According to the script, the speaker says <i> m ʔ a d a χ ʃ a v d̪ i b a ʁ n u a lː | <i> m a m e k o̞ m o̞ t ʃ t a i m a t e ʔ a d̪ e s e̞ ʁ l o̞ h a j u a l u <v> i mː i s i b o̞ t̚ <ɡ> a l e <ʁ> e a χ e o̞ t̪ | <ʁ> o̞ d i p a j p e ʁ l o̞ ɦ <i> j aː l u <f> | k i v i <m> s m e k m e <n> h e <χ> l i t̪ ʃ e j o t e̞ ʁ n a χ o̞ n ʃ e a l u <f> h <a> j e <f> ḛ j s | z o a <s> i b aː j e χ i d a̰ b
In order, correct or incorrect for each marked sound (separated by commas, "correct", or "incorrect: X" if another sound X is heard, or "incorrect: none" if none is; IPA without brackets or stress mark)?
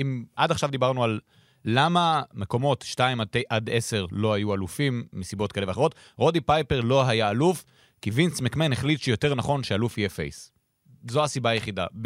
correct, incorrect: a, incorrect: f, incorrect: k, incorrect: v, correct, incorrect: a, correct, incorrect: n, correct, correct, correct, incorrect: i, correct, correct